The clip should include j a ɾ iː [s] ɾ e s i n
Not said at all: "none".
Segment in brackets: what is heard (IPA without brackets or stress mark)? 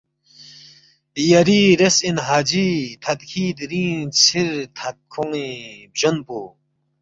none